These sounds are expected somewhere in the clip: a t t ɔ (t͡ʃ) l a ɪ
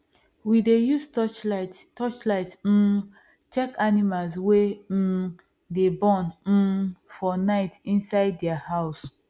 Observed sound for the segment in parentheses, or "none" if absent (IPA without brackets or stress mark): t͡ʃ